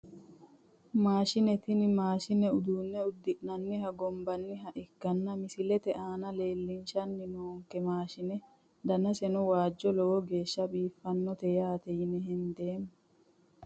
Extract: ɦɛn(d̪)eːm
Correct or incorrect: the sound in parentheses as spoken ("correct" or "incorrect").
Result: correct